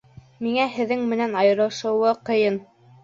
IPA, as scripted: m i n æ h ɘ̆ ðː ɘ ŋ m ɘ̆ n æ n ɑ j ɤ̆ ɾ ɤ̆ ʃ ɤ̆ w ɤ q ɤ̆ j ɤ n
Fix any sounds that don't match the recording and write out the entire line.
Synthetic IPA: m i ŋ æ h ɘ̆ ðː ɘ ŋ m ɘ̆ n æ n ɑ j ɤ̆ ɾ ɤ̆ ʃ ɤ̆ w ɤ q ɤ̆ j ɤ n